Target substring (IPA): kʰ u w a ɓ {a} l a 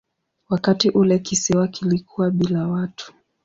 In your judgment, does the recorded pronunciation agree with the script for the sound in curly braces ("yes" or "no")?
no